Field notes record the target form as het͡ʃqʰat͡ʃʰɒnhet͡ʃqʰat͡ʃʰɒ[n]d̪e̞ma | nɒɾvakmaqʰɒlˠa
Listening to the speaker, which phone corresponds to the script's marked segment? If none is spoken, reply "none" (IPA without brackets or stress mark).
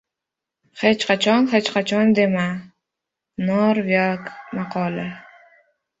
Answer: n